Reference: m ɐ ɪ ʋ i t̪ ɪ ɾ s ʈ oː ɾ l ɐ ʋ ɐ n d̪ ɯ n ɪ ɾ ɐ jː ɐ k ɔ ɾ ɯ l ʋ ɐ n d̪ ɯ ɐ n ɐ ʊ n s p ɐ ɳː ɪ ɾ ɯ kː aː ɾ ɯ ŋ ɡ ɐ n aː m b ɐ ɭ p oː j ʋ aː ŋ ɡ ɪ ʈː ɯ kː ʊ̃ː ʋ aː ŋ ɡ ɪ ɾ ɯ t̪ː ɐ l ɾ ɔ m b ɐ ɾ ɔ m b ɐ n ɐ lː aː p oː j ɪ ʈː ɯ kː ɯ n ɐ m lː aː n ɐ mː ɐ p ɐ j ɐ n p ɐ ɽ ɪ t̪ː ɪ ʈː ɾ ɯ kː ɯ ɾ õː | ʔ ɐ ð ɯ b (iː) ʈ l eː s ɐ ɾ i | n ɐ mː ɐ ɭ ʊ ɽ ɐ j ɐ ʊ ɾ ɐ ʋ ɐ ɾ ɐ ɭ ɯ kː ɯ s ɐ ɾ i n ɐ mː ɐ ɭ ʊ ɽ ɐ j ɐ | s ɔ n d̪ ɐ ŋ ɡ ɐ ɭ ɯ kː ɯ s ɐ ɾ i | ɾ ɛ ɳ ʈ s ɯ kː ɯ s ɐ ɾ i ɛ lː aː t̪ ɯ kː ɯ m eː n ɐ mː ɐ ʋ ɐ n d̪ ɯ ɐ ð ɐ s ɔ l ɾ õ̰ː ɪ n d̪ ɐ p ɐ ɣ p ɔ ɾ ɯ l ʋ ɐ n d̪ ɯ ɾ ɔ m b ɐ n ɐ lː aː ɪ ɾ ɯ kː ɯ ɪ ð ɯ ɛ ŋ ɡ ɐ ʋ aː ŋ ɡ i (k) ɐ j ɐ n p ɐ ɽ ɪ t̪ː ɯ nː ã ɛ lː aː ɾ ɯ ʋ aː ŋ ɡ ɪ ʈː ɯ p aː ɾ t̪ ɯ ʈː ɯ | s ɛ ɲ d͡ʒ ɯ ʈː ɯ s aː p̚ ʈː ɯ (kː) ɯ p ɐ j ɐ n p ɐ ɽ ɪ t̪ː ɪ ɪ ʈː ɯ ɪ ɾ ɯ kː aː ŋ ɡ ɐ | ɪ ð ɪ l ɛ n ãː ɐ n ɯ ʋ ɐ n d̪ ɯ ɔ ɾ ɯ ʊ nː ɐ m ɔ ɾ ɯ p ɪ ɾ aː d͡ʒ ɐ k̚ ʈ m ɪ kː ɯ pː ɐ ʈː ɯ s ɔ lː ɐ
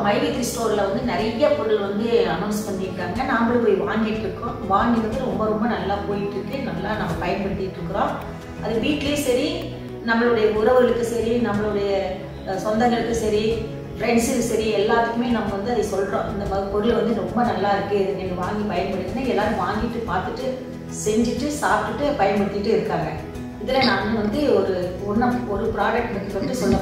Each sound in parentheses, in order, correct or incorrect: correct, incorrect: p, incorrect: ʈː

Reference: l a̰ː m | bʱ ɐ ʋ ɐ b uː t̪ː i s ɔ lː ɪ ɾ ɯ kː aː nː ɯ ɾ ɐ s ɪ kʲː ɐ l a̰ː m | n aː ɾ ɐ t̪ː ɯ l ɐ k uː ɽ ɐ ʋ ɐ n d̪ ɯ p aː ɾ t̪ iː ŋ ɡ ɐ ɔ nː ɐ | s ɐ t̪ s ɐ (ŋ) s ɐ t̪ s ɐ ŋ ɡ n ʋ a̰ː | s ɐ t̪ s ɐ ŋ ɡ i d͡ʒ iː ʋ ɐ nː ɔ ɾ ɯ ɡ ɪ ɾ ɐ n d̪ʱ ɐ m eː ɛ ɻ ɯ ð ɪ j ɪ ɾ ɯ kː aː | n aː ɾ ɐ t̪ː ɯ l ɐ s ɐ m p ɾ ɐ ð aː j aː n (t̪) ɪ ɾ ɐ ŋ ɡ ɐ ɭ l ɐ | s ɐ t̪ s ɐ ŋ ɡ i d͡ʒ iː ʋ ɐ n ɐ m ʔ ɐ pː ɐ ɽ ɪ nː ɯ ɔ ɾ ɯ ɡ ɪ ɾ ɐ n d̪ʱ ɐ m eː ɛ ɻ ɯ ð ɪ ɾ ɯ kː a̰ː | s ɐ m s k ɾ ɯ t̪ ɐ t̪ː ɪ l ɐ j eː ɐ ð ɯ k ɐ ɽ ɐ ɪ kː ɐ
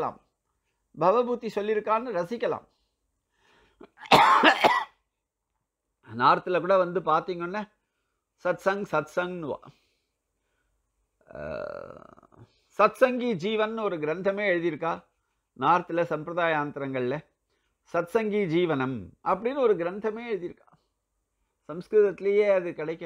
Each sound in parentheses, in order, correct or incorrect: correct, correct

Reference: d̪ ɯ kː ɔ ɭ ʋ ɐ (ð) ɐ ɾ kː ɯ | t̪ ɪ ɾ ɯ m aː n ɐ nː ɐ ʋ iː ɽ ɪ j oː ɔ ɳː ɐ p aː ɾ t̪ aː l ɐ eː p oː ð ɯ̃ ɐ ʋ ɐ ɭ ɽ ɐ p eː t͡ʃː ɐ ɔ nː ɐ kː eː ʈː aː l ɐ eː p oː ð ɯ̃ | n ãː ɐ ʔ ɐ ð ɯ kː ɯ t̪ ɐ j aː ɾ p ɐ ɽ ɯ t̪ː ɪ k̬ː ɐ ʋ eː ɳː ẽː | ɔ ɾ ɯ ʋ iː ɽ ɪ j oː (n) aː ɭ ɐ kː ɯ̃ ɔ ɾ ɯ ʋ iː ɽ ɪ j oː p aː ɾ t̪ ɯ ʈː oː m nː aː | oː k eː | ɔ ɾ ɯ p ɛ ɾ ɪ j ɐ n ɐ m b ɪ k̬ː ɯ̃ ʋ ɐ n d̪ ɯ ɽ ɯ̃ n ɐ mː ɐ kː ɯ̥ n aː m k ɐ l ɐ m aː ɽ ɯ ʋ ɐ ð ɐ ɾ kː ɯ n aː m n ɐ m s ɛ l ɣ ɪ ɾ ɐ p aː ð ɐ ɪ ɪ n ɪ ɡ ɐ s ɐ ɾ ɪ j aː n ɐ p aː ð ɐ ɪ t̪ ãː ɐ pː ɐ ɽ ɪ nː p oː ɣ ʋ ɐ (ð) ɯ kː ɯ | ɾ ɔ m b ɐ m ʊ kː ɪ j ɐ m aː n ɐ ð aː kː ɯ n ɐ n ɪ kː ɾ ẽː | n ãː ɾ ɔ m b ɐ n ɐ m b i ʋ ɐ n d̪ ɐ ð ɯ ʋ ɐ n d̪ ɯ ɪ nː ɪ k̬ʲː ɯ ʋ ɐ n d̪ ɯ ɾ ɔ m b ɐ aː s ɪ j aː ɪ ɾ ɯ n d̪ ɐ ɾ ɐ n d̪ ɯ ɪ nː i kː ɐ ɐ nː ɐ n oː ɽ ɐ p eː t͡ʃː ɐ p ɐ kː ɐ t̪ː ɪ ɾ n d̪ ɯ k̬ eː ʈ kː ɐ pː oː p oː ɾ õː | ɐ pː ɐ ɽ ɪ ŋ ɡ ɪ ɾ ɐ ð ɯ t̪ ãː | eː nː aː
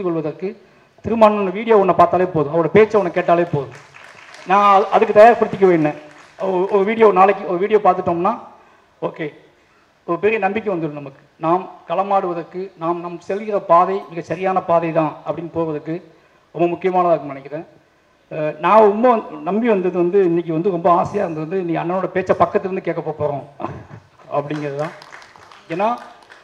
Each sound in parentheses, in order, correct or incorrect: correct, correct, correct

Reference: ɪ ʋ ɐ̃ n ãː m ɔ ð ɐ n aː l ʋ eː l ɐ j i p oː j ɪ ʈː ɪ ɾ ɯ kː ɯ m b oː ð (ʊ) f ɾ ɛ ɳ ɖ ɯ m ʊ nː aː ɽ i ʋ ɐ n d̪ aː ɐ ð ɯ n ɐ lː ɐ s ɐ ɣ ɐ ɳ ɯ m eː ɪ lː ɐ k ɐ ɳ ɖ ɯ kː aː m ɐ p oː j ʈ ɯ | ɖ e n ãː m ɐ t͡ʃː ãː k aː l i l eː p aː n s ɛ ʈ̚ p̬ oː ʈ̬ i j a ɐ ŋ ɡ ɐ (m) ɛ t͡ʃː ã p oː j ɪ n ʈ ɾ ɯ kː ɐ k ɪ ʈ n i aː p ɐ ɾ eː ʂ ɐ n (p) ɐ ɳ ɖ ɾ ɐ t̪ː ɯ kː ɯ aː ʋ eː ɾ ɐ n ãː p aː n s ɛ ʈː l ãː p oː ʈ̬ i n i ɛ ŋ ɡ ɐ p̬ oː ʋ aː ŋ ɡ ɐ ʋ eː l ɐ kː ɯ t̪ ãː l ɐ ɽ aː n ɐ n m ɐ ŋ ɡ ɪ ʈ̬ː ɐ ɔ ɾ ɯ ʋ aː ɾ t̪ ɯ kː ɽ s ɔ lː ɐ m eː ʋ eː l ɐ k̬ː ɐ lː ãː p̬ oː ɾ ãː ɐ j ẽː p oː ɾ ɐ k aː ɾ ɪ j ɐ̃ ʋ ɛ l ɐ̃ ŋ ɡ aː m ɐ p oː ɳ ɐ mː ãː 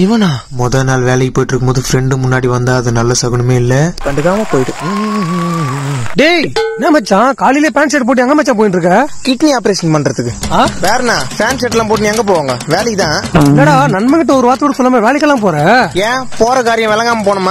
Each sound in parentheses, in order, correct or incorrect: incorrect: ɯ, correct, correct

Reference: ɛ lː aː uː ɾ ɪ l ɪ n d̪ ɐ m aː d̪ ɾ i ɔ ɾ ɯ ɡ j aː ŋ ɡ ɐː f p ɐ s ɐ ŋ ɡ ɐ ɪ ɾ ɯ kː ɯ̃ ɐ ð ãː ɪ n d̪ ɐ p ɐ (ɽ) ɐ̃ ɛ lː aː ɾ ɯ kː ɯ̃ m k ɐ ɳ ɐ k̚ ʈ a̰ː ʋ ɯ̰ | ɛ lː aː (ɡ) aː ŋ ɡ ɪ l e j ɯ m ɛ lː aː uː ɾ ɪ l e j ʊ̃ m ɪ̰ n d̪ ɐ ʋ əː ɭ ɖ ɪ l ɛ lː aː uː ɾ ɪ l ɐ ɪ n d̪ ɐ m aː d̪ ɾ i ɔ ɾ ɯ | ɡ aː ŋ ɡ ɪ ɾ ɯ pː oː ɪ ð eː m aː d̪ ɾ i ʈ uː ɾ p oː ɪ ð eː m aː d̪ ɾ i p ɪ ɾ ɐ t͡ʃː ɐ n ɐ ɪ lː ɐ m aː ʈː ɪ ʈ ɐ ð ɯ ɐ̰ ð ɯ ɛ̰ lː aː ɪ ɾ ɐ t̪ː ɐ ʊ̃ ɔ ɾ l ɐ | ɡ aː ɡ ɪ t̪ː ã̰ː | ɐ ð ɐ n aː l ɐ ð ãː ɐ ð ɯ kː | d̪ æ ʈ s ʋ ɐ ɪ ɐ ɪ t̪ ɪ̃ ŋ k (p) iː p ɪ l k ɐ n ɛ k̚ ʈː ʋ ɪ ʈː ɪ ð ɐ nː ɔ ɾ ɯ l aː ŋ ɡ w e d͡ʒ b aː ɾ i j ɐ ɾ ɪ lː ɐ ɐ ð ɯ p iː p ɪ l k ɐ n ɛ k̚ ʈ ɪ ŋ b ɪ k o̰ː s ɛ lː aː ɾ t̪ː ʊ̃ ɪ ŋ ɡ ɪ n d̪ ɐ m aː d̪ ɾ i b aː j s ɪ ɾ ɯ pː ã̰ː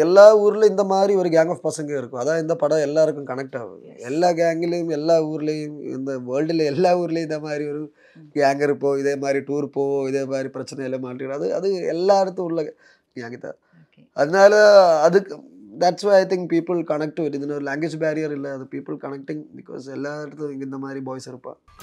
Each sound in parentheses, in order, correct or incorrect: correct, correct, correct

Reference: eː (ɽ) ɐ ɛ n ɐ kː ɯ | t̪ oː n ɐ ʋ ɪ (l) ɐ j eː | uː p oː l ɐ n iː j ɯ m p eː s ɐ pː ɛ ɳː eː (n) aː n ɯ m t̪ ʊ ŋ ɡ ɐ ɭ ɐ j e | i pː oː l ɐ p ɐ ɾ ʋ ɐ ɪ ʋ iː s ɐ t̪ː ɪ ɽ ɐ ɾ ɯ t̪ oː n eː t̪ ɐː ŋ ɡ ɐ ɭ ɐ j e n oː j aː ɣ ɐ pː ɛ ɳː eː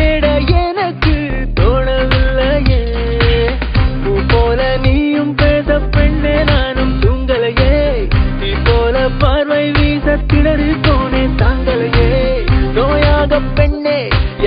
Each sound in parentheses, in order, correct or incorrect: correct, incorrect: lː, correct

